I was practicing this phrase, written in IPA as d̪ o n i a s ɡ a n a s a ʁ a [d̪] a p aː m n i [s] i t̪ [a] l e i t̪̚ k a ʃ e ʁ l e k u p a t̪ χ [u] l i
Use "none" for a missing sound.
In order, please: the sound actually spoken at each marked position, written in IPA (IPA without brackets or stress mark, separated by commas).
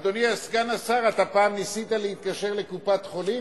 t̪, s, a, o